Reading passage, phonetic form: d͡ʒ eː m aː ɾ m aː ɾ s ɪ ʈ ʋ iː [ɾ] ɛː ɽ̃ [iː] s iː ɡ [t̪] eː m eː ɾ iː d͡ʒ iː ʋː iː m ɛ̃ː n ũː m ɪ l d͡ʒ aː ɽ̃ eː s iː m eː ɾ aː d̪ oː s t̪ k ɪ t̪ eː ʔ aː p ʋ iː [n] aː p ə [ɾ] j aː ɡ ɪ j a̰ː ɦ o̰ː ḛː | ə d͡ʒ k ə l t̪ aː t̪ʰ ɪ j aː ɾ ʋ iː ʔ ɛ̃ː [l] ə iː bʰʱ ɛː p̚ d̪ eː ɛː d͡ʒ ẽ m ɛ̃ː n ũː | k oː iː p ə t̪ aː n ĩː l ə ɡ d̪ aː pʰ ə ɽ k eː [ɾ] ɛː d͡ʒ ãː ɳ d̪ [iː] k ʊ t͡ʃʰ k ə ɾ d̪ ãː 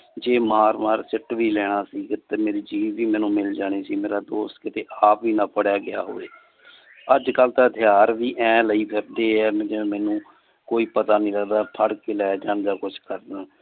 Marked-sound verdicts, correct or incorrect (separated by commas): incorrect, incorrect, correct, correct, incorrect, correct, incorrect, incorrect